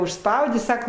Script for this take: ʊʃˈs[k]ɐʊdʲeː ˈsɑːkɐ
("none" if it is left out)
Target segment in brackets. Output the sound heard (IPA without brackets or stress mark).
p